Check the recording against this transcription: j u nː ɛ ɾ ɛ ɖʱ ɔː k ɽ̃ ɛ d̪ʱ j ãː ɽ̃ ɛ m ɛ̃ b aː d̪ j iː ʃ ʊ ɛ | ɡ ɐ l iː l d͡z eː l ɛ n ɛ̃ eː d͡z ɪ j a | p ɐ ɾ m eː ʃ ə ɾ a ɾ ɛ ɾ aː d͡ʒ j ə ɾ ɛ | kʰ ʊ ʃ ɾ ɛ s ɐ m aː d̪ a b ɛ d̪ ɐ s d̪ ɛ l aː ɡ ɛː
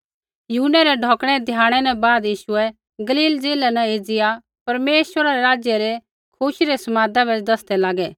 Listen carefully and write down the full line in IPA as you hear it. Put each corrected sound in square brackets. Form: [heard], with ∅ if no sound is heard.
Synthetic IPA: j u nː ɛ ɾ ɛ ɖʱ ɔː k ɽ̃ ɛ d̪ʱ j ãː ɽ̃ ɛ [n] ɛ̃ b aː d̪ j iː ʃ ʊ ɛ | ɡ ɐ l iː l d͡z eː l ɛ n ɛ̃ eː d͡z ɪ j a | p ɐ ɾ m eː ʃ ə ɾ a ɾ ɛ ɾ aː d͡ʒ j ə ɾ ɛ | kʰ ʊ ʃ ɾ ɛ s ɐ m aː d̪ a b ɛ d̪ ɐ s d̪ ɛ l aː ɡ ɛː

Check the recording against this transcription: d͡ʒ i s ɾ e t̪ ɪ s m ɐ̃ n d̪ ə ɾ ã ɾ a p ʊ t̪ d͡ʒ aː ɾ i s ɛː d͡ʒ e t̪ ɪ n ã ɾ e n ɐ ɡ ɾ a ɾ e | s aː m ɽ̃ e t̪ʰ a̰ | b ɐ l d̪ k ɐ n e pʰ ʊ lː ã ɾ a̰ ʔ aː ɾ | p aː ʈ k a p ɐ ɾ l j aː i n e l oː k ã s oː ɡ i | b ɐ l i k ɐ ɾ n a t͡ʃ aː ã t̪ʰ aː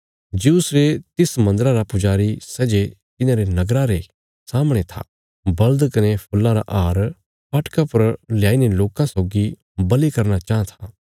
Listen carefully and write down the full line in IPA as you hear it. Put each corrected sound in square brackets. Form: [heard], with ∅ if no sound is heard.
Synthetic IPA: d͡ʒ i s ɾ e t̪ ɪ s m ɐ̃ n d̪ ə ɾ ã ɾ a p ʊ [∅] d͡ʒ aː ɾ i s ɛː d͡ʒ e t̪ ɪ n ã ɾ e n ɐ ɡ ɾ a ɾ e | s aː m ɽ̃ e t̪ʰ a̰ | b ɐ l d̪ k ɐ n e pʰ ʊ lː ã ɾ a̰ ʔ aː ɾ | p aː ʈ k a p ɐ ɾ l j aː i n e l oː k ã s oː ɡ i | b ɐ l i k ɐ ɾ n a t͡ʃ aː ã t̪ʰ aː

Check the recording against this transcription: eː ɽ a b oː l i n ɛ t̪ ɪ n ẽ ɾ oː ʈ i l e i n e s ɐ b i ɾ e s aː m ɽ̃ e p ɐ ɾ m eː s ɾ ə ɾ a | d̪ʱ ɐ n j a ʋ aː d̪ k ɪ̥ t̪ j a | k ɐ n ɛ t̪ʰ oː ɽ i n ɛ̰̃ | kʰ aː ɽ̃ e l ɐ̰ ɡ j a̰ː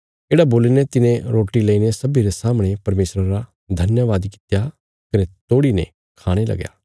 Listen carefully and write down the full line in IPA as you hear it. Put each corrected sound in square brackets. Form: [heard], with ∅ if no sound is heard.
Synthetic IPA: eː ɽ a b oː l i n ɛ t̪ ɪ n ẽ ɾ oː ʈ i l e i n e s ɐ b i ɾ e s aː m ɽ̃ e p ɐ ɾ m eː s ɾ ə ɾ a | d̪ʱ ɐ n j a ʋ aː d̪ k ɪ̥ t̪ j a | k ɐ n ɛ [t̪] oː ɽ i n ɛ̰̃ | kʰ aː ɽ̃ e l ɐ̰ ɡ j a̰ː

